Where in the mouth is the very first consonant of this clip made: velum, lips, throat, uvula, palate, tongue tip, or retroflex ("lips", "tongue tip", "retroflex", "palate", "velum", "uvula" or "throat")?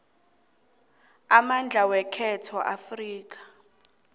lips